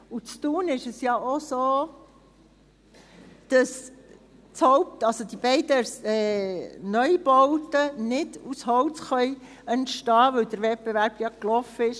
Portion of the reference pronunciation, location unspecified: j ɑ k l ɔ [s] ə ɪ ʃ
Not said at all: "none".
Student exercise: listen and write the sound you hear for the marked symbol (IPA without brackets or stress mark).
f